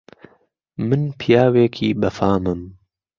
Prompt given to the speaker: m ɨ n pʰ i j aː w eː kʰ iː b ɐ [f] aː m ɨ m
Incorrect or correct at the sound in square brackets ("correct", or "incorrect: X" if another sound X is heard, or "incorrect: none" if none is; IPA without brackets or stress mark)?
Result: correct